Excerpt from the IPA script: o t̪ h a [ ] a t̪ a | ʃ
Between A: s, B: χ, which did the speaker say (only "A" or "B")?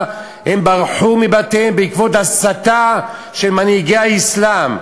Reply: A